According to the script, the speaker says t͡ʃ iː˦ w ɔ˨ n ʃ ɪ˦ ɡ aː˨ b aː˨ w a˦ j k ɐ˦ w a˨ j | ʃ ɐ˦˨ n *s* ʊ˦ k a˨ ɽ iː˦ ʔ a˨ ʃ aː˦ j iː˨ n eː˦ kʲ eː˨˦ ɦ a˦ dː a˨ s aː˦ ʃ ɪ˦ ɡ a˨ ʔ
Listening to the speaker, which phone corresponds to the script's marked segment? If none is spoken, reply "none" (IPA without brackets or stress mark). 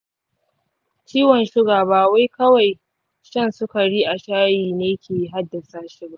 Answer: s